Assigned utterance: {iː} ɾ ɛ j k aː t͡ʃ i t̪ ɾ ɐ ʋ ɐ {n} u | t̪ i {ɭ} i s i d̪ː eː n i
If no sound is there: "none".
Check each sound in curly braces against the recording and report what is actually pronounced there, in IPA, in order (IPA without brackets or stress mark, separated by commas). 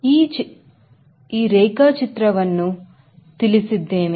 iː, nː, l